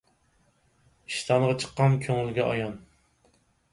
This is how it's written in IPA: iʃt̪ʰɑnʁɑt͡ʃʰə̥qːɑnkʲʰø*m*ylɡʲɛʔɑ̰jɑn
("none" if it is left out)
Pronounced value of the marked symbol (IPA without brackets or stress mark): ŋ